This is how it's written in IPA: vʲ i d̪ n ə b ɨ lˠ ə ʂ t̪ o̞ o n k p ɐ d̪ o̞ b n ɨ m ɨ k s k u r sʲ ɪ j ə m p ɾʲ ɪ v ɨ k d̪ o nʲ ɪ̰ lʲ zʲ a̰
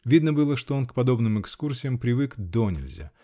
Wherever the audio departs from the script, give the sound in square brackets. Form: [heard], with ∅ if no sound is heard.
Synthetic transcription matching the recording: vʲ i d̪ n ə b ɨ lˠ ə ʂ t̪ o̞ o n k p ɐ d̪ o̞ b n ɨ m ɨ k s k u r sʲ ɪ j ə m p ɾʲ ɪ v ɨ k d̪ o nʲ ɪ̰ lʲ zʲ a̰